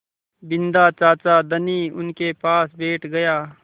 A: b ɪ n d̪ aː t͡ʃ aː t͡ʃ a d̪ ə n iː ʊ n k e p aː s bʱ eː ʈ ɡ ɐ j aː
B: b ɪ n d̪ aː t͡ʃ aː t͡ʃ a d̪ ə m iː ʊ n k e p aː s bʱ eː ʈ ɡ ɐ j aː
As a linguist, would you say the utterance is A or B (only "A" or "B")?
A